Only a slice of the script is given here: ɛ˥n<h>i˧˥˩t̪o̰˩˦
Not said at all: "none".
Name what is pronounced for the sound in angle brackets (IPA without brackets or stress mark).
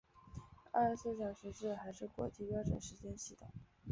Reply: ɕ